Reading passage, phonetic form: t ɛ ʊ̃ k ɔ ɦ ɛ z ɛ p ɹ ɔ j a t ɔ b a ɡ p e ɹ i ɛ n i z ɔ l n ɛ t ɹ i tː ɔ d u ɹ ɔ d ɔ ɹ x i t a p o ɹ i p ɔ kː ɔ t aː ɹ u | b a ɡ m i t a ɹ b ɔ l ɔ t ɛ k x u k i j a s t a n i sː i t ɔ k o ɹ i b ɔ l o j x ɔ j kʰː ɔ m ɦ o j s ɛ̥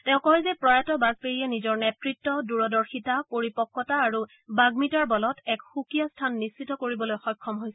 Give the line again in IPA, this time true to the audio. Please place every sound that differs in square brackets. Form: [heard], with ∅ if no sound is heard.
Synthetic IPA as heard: t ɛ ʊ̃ k ɔ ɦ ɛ z ɛ p ɹ ɔ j a t ɔ b a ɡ p e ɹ i ɛ n i z ɔ [ɹ] n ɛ t ɹ i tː ɔ d u ɹ ɔ d ɔ ɹ x i t a p o ɹ i p ɔ kː ɔ t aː ɹ u | b a ɡ m i t a ɹ b ɔ l ɔ t ɛ k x u k i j a s [tʰ] a [nː] i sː i t ɔ k o ɹ i b ɔ l o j x ɔ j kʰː ɔ m ɦ o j s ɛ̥